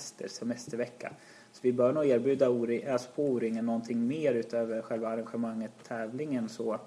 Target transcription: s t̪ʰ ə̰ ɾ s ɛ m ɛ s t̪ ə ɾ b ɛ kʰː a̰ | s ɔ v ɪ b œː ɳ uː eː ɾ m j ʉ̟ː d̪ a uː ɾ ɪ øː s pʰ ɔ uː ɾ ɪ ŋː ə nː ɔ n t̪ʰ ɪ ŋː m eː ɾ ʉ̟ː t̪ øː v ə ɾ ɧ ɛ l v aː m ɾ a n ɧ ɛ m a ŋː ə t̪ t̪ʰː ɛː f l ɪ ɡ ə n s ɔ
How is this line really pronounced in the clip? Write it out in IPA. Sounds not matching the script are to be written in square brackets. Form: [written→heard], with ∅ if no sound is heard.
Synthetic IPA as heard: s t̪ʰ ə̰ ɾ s ɛ m ɛ s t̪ ə ɾ [b→v] ɛ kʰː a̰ | s ɔ v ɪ b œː ɳ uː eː ɾ [m→b] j ʉ̟ː d̪ a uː ɾ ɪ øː s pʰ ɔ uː ɾ ɪ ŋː ə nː ɔ n t̪ʰ ɪ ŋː m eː ɾ ʉ̟ː t̪ øː v ə ɾ ɧ ɛ l v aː [m→∅] ɾ a n ɧ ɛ m a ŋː ə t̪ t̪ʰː ɛː [f→v] l ɪ [ɡ→ŋ] ə n s ɔ